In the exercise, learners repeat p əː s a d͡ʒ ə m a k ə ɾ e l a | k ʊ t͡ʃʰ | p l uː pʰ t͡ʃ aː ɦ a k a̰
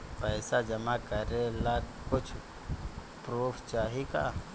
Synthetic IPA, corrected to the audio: p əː s a d͡ʒ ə m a k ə ɾ e l a | k ʊ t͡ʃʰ | p ɾ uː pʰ t͡ʃ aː ɦ i k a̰